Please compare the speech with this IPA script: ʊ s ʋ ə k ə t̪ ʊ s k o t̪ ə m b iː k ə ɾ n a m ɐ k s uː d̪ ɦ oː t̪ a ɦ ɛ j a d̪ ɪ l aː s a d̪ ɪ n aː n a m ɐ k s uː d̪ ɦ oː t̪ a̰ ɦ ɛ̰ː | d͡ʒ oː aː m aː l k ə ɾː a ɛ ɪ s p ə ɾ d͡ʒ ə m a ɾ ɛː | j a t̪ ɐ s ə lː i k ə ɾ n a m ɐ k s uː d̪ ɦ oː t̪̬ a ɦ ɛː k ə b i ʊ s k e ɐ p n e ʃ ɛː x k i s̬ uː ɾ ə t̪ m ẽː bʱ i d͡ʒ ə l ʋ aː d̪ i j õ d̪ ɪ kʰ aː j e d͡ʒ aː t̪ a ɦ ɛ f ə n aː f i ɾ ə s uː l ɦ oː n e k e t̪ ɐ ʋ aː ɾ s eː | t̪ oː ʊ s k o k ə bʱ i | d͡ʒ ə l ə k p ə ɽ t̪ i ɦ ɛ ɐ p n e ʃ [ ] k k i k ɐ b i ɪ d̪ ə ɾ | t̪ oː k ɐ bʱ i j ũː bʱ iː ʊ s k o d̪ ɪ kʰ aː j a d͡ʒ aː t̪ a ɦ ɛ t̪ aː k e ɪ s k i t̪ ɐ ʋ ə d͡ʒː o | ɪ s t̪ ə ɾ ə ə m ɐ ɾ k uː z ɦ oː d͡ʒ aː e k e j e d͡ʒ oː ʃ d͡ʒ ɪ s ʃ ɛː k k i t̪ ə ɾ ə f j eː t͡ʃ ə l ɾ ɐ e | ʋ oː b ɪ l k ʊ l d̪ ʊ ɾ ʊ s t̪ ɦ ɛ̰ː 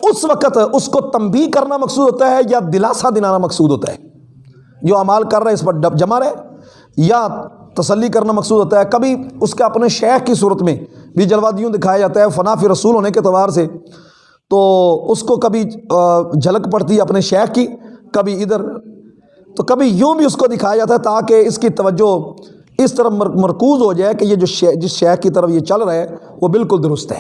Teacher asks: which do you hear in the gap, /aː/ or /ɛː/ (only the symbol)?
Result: ɛː